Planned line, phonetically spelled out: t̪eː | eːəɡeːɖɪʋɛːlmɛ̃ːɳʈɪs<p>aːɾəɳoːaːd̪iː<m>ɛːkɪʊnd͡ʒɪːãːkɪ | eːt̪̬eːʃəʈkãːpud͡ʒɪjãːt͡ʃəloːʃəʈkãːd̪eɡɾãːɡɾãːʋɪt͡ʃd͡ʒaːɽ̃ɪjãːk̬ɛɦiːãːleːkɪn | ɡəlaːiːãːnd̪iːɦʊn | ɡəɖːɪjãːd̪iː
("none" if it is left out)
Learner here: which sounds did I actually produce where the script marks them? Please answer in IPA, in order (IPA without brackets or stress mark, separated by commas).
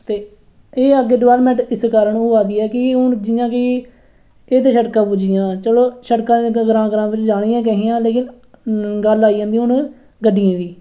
k, none